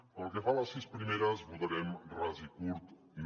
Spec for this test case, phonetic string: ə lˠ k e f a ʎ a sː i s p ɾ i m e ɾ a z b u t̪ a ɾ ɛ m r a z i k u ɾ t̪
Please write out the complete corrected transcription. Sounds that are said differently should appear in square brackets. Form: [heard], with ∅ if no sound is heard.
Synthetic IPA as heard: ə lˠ k e f a [l] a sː i s p ɾ i m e ɾ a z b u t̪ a ɾ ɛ m r a z i k u ɾ t̪